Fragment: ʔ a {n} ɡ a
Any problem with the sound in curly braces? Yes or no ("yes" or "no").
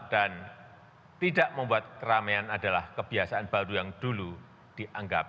yes